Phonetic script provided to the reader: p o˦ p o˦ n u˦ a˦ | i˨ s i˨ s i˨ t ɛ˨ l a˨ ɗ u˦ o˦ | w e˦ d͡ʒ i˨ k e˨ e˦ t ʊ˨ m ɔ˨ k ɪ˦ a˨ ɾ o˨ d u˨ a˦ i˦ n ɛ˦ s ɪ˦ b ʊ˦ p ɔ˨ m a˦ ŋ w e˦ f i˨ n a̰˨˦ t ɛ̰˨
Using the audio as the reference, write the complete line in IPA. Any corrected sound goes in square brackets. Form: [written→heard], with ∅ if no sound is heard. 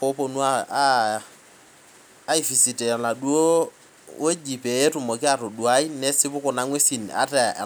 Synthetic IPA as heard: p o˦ p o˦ n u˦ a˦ | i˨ [s→f] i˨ s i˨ t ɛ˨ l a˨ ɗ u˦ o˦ | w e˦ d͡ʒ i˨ [k→p] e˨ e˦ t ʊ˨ m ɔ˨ k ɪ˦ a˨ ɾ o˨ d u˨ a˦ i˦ n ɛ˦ s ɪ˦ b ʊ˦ [p→k] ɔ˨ [m→n] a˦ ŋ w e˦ [f→s] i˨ n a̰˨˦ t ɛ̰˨